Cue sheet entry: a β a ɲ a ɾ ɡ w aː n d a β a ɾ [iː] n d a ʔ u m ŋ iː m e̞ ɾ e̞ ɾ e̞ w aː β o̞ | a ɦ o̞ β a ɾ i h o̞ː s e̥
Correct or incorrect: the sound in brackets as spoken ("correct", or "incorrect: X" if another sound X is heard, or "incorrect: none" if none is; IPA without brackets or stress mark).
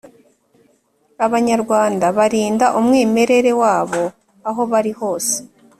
correct